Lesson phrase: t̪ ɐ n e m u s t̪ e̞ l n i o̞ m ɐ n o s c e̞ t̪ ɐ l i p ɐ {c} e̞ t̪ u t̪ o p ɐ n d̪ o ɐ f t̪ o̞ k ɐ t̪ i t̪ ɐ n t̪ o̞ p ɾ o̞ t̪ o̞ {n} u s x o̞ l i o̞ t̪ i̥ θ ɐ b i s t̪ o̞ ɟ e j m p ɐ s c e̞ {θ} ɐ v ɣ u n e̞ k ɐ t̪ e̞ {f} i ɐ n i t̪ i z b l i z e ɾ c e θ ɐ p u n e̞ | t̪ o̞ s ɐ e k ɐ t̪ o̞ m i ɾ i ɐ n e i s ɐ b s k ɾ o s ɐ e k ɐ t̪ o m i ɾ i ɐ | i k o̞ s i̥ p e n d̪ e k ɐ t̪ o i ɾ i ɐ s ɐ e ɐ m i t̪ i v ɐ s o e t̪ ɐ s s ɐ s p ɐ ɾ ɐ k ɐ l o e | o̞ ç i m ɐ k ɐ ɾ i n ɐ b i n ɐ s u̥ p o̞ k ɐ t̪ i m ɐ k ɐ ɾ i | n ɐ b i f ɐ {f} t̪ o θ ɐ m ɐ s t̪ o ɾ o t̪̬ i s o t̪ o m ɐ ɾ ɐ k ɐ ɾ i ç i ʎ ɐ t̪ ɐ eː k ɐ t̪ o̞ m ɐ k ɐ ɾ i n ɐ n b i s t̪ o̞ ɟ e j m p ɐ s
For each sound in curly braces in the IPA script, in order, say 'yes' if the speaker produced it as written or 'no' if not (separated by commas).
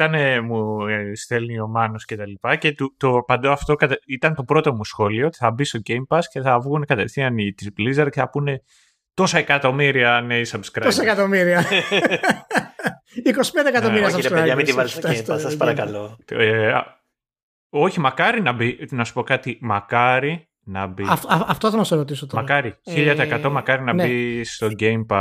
yes, no, yes, no, yes